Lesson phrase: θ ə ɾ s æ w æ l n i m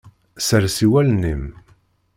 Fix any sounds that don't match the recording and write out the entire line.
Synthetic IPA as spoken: s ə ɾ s i w æ l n i m